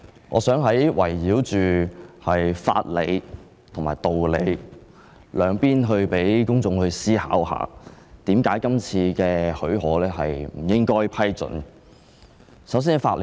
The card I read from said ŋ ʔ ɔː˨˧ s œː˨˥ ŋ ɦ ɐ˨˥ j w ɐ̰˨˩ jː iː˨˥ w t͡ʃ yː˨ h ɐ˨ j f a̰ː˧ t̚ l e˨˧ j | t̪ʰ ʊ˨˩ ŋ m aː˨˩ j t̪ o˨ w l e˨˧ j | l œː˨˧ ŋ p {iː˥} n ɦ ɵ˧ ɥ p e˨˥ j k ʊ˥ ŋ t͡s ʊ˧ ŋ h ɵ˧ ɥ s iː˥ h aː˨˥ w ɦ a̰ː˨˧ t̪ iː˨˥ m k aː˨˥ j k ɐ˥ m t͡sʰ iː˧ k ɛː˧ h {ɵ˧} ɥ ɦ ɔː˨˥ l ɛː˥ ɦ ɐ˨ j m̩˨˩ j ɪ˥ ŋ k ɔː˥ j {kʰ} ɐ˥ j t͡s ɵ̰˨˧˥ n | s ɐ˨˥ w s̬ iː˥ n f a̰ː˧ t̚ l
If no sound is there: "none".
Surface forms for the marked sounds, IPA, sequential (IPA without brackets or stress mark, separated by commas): iː˥, ɵ˨˥, pʰ